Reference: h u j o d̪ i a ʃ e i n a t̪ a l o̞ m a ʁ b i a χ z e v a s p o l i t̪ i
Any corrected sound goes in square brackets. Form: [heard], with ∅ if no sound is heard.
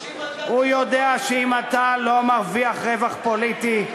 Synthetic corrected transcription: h u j o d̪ [e] a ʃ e i [m] a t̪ a l o̞ m a ʁ [v] i a χ [ʁ] e v a [χ] p o l i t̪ i